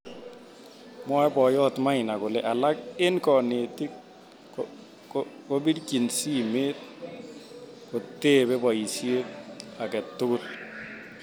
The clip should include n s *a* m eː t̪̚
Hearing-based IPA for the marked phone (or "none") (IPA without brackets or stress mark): i